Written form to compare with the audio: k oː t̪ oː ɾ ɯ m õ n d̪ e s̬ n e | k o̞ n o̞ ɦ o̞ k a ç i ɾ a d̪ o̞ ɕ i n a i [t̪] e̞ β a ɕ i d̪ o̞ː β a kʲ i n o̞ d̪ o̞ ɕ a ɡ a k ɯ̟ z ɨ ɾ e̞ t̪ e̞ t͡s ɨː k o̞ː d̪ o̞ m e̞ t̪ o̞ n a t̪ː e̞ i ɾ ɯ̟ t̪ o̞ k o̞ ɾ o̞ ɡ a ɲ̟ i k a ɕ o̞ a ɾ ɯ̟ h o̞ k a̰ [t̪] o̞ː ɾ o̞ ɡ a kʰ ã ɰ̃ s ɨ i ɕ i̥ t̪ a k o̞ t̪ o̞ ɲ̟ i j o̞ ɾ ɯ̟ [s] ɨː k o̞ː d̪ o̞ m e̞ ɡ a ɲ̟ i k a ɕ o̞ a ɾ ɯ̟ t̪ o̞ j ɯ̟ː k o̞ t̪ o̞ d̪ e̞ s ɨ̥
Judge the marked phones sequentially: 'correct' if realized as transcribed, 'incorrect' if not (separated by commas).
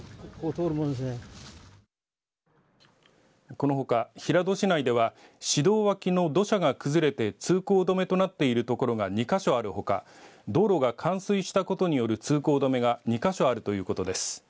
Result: incorrect, incorrect, incorrect